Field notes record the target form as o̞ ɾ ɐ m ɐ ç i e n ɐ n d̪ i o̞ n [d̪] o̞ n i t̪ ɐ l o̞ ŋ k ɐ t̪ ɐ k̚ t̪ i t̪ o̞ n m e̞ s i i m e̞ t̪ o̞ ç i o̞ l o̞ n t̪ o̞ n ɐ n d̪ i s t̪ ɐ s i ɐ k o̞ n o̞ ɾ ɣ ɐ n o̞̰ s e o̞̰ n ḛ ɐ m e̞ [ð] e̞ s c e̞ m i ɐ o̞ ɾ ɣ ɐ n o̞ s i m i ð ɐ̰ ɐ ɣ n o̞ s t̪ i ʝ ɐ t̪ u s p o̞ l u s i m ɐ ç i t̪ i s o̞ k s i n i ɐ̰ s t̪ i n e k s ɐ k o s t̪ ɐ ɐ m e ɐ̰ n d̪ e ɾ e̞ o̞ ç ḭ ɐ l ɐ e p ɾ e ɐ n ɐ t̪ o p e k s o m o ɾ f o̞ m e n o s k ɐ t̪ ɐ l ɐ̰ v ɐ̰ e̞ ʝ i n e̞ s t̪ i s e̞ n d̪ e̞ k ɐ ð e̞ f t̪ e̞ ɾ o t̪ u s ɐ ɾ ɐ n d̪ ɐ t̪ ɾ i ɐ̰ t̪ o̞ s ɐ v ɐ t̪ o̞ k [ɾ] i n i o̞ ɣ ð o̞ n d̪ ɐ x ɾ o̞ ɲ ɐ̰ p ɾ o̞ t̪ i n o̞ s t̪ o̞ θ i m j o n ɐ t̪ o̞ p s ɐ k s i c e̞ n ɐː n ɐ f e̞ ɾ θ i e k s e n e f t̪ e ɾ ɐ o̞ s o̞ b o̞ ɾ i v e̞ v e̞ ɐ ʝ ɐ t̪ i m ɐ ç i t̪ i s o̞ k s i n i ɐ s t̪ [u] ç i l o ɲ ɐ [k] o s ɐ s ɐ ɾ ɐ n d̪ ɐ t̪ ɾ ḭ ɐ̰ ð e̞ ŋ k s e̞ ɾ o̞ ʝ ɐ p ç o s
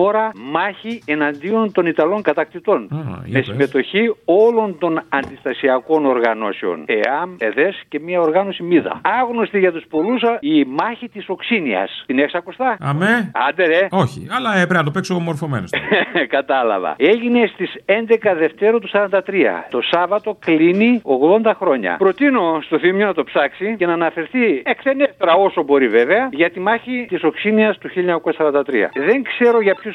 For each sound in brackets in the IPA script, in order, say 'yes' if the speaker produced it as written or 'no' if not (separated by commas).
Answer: no, yes, no, yes, yes